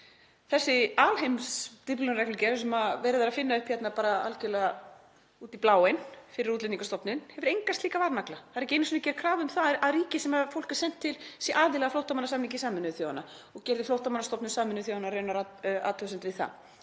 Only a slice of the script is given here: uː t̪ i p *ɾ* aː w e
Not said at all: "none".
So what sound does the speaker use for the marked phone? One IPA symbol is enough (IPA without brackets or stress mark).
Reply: l